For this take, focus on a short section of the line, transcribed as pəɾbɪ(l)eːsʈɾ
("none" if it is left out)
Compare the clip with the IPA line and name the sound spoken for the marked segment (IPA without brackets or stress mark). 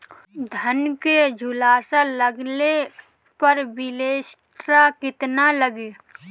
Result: l